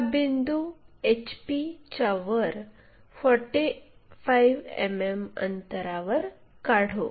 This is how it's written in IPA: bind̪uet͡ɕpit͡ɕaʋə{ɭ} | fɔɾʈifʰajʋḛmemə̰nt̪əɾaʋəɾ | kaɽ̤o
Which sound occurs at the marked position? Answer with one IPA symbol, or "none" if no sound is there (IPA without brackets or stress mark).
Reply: ɾ